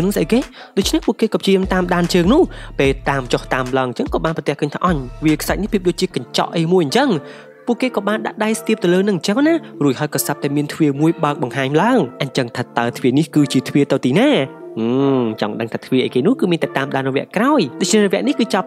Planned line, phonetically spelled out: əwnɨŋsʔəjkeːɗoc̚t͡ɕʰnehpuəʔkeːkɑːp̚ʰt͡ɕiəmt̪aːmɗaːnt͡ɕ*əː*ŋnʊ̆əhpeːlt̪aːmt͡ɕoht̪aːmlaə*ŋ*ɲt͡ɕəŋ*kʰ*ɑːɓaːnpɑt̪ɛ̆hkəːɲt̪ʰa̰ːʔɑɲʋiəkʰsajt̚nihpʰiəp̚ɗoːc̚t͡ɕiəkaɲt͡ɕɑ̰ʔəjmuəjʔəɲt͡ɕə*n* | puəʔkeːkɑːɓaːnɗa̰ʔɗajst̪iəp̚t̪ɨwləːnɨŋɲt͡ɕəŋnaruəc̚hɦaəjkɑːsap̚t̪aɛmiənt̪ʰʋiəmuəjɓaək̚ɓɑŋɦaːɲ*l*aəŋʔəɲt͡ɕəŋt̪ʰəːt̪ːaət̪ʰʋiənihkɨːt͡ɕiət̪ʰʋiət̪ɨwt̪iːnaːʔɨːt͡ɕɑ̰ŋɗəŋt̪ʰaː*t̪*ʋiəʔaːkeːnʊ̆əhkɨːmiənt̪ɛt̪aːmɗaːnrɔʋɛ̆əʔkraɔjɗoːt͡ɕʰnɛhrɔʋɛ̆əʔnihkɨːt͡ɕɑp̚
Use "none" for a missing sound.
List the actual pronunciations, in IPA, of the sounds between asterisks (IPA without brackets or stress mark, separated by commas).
əː, ŋ, k, ŋ, l, t̪ʰ